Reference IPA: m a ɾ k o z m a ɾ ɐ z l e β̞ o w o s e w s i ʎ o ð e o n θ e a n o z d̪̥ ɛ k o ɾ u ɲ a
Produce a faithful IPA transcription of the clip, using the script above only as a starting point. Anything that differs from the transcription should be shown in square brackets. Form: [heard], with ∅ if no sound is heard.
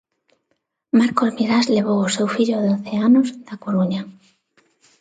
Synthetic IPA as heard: m a ɾ k o z m [i] ɾ [a] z l e β̞ o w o s e w [f] i ʎ o ð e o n θ e a n o z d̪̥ [a] k o ɾ u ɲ a